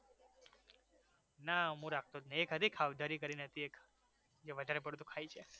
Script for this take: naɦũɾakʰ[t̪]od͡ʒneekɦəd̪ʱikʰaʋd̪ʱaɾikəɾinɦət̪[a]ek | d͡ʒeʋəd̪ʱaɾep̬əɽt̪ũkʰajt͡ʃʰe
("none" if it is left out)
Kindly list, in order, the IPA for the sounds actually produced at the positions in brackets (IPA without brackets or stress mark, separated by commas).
t̪, i